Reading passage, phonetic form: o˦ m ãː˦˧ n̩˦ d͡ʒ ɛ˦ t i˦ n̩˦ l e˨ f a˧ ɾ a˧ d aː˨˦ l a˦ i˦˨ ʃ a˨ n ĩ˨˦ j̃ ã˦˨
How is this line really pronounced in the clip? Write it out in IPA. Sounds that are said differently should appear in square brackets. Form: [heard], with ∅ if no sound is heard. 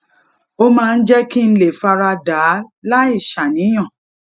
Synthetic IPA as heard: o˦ m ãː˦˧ n̩˦ d͡ʒ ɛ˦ [k] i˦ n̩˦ l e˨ f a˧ ɾ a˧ d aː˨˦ l a˦ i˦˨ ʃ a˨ n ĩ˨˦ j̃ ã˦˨